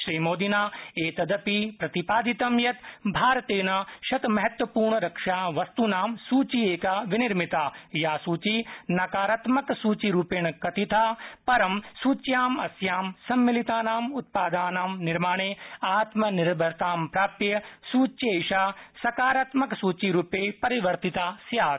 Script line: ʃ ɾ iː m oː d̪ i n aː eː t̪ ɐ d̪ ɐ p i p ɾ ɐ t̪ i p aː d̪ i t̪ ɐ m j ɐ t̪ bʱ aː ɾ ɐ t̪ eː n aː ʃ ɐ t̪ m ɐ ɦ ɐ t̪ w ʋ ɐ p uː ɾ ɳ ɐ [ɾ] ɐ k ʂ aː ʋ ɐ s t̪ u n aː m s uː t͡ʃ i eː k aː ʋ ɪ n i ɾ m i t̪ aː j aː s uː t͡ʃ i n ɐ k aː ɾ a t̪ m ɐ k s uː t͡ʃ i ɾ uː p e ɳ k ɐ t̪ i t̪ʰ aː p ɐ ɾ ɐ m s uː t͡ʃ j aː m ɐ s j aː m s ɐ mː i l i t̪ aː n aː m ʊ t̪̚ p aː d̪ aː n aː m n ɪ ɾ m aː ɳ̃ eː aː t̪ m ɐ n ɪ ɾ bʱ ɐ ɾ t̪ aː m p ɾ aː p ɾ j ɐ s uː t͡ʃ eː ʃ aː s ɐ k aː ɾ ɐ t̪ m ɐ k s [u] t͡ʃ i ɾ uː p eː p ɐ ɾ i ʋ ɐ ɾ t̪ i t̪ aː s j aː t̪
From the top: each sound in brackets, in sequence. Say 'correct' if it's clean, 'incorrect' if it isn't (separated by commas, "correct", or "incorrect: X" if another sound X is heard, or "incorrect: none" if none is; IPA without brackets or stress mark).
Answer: correct, incorrect: uː